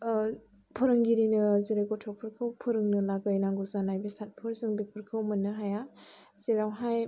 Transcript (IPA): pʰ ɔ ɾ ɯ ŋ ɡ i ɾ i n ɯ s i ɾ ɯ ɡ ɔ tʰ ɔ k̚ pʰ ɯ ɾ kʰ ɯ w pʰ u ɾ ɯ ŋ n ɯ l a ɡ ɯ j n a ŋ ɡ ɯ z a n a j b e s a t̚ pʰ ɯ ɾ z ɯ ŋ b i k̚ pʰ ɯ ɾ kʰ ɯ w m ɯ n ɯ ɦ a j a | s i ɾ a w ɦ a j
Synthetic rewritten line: pʰ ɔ ɾ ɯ ŋ ɡ i ɾ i n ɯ z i ɾ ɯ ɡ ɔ tʰ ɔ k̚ pʰ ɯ ɾ kʰ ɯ w pʰ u ɾ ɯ ŋ n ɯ l a ɡ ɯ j n a ŋ ɡ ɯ z a n a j b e s a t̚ pʰ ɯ ɾ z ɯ ŋ b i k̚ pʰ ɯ ɾ kʰ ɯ w m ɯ n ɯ ɦ a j a | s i ɾ a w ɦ a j

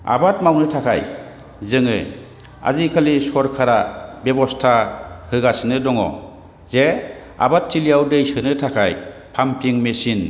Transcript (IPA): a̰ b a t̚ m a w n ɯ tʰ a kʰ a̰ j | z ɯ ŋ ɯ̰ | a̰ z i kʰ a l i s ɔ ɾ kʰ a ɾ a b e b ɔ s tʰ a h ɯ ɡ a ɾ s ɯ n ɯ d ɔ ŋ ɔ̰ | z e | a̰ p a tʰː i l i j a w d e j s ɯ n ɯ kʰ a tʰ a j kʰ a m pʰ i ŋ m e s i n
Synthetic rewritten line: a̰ b a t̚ m a w n ɯ tʰ a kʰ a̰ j | z ɯ ŋ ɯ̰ | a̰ z i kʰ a l i s ɔ ɾ kʰ a ɾ a b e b ɔ s tʰ a h ɯ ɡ a s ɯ n ɯ d ɔ ŋ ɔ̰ | z e | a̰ b a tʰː i l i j a w d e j s ɯ n ɯ tʰ a kʰ a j pʰ a m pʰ i ŋ m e s i n

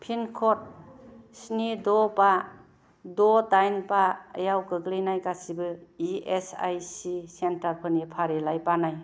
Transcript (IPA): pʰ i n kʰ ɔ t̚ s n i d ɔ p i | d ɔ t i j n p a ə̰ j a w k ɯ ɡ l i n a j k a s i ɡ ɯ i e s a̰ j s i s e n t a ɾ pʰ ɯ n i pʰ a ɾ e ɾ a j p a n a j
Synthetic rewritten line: pʰ i n kʰ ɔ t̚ s n i d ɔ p a | d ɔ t a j n p a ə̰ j a w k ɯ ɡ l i n a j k a s i b ɯ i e s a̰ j s i s e n t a ɾ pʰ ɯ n i pʰ a ɾ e l a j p a n a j

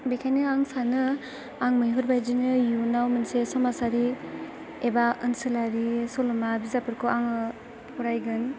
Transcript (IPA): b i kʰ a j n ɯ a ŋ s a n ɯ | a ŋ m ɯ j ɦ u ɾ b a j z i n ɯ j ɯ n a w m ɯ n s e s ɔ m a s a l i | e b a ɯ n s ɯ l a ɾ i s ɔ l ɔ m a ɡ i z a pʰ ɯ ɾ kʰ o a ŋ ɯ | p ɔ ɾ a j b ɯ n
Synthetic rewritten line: b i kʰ a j n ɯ a ŋ s a n ɯ | a ŋ m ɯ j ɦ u ɾ b a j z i n ɯ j u n a w m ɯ n s e s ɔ m a s a ɾ i | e b a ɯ n s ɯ l a ɾ i s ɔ l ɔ m a b i z a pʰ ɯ ɾ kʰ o a ŋ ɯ | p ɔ ɾ a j ɡ ɯ n

